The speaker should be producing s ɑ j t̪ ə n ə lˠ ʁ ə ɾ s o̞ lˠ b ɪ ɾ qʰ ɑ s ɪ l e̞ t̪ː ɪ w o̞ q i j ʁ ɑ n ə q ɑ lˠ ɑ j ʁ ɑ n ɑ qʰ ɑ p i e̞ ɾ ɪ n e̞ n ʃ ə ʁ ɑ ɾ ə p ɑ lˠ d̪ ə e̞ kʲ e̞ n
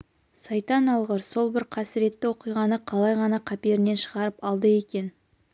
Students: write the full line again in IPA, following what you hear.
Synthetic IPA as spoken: s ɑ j t̪ ɑ n ɑ lˠ ʁ ə ɾ s o̞ lˠ b ɪ ɾ qʰ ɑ s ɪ ɾ e̞ t̪ː ɪ w o̞ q i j ʁ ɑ n ə qʰ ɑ lˠ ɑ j ʁ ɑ n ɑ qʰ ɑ p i e̞ ɾ ɪ n e̞ n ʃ ə ʁ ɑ ɾ ə p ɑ lˠ d̪ ə e̞ kʲ e̞ n